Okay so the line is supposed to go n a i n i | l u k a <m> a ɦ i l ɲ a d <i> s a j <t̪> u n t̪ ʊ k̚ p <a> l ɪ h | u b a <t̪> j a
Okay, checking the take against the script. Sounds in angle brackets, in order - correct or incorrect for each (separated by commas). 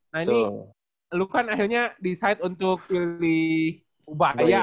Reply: incorrect, correct, correct, incorrect, incorrect